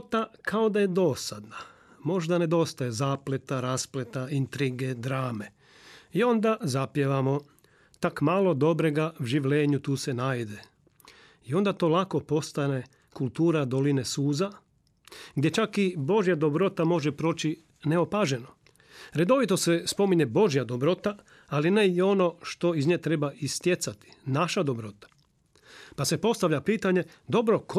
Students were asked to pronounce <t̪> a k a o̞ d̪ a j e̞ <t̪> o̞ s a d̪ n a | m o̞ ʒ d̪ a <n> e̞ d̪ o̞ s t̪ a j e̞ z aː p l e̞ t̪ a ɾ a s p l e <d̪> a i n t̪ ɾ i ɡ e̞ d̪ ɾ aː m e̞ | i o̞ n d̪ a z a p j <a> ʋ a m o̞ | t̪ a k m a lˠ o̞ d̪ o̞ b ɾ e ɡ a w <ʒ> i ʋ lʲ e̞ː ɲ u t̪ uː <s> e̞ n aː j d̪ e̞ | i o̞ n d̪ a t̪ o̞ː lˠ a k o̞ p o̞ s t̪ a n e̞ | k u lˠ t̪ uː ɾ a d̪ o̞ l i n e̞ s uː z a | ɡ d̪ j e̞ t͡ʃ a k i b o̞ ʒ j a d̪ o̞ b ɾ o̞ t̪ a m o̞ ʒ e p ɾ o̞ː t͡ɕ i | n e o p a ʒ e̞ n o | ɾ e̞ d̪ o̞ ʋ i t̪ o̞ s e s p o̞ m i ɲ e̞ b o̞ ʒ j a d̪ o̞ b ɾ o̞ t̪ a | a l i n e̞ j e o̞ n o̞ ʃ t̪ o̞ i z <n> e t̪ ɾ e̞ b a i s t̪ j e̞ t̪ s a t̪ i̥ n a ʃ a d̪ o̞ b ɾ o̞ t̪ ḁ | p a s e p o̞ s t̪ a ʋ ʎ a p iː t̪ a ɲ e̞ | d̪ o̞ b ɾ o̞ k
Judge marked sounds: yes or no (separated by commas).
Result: yes, no, yes, no, no, yes, yes, no